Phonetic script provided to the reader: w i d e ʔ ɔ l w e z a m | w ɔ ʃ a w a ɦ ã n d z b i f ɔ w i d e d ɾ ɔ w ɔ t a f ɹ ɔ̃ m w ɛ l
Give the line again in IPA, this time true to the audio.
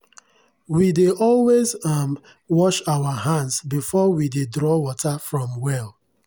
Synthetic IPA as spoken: w i d e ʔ ɔ l w e z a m | w ɔ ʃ a w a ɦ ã n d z b i f ɔ w i d e d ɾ ɔ w ɔ t a f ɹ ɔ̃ m w ɛ l